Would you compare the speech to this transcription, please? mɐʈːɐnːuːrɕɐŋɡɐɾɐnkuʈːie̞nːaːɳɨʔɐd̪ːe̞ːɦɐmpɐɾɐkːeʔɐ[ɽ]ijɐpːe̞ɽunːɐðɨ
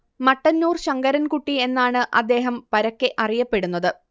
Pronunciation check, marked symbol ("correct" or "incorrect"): incorrect